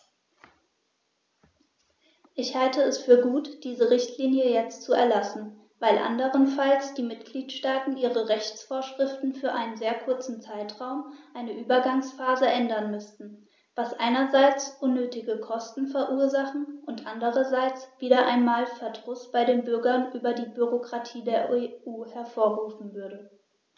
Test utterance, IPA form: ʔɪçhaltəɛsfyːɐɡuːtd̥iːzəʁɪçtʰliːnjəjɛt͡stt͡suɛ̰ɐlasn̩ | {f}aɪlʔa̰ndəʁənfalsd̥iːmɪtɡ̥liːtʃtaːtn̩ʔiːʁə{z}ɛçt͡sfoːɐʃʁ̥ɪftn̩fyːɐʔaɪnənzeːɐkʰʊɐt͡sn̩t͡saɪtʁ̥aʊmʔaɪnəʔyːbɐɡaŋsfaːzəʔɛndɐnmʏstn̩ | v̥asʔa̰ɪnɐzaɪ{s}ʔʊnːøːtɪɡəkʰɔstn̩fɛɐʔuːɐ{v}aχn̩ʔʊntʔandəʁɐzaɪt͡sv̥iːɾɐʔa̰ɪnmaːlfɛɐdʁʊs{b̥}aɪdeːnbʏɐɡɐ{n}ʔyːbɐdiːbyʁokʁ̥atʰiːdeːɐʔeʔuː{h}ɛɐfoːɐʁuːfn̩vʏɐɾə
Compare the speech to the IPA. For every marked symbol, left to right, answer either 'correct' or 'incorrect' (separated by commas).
incorrect, incorrect, incorrect, incorrect, correct, correct, correct